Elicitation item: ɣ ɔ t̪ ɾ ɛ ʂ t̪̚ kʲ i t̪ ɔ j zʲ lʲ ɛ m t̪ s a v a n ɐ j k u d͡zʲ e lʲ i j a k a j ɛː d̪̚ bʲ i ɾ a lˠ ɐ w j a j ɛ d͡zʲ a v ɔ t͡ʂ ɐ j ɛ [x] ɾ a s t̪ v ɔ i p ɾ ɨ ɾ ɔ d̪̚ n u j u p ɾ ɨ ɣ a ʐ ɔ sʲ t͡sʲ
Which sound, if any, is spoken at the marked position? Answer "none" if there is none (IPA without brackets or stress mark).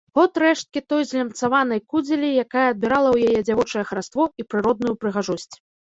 x